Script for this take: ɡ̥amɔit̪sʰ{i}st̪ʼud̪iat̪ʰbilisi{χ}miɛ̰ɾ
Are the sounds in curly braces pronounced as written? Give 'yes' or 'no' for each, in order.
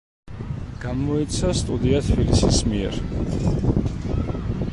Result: no, no

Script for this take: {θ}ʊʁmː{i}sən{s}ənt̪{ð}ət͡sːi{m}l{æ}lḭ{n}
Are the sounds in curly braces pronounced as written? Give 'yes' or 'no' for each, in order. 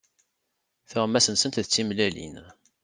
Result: yes, no, yes, yes, yes, yes, yes

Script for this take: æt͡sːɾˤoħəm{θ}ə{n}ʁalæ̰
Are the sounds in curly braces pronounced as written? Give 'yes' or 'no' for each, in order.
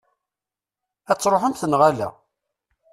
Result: yes, yes

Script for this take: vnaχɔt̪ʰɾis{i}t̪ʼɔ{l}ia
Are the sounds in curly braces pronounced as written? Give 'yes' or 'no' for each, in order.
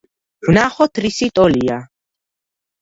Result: yes, yes

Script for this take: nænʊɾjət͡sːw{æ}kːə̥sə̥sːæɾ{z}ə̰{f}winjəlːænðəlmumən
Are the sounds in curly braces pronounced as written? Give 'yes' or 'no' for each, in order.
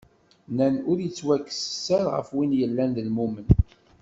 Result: yes, no, yes

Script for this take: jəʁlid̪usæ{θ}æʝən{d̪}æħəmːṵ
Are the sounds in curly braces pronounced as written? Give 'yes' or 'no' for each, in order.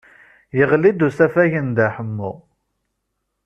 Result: no, yes

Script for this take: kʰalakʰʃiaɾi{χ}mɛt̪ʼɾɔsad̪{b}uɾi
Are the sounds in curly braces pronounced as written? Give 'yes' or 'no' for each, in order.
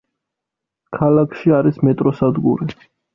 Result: no, no

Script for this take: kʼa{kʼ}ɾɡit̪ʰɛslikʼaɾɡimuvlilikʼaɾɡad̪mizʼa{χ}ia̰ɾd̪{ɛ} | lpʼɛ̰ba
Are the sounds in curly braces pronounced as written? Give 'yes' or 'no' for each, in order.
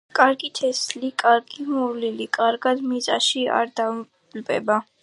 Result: no, no, no

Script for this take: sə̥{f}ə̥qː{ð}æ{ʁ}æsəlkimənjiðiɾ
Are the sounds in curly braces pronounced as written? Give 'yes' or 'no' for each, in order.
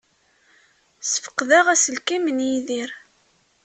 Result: yes, yes, yes

